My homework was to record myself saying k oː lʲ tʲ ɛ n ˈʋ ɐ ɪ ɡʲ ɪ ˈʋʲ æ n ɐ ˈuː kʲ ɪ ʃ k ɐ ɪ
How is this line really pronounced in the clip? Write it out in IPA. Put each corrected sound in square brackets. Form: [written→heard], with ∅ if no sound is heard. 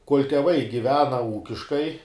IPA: k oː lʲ tʲ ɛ [n→∅] ˈʋ ɐ ɪ ɡʲ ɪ ˈʋʲ [æ→æː] n ɐ ˈuː kʲ ɪ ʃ k ɐ ɪ